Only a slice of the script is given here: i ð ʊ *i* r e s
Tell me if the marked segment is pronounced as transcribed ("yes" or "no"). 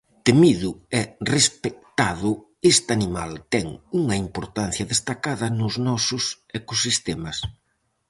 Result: no